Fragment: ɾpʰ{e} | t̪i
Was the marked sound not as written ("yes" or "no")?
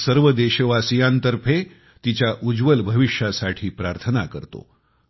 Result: no